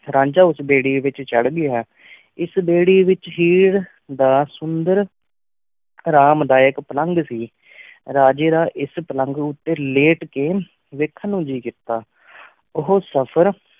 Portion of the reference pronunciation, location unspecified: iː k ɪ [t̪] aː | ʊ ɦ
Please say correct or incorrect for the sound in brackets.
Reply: correct